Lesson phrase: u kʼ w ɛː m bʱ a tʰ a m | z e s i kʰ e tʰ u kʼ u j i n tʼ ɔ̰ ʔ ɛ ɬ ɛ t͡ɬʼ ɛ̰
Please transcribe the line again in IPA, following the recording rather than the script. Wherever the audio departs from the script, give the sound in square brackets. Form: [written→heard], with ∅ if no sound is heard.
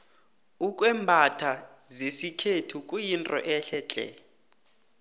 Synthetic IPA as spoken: u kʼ w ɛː m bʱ a tʰ a [m→∅] | z e s i kʰ e tʰ u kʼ u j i n tʼ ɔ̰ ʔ ɛ ɬ ɛ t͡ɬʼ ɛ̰